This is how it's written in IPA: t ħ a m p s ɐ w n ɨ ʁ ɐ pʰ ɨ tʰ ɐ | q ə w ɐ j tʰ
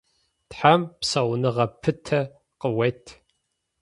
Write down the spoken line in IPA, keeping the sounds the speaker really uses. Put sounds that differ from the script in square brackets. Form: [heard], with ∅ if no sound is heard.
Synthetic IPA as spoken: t ħ a m p s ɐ w n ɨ ʁ ɐ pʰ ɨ tʰ ɐ | q ə w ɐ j tʰ